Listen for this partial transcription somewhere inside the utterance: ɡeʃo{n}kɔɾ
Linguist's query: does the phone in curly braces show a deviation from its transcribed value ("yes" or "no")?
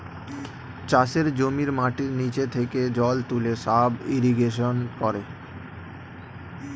no